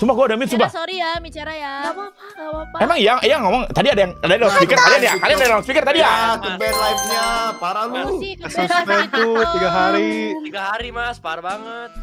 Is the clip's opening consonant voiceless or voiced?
voiceless